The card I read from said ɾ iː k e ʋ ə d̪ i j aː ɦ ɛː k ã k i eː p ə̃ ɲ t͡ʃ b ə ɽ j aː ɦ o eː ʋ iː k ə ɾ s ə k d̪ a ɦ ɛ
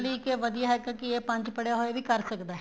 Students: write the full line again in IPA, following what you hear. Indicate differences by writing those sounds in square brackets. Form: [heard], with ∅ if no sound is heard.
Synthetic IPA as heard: [l] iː k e ʋ ə d̪ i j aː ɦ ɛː k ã k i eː p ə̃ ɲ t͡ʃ [p] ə ɽ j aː ɦ o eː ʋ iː k ə ɾ s ə k d̪ a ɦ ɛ